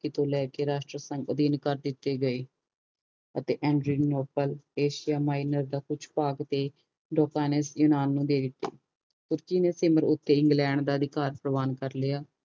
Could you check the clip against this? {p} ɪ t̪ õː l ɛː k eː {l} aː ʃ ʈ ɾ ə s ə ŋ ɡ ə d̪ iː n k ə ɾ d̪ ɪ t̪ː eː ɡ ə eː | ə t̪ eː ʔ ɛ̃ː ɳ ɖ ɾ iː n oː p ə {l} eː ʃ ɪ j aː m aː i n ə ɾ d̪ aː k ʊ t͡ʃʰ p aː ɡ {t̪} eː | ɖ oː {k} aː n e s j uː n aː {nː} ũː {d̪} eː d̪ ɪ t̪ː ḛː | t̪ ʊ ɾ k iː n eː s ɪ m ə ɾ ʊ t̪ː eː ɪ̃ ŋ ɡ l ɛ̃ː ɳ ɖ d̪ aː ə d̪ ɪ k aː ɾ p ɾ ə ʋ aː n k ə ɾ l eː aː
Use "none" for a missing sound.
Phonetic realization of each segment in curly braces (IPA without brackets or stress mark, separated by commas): k, ɾ, l, t̪, k, nː, d̪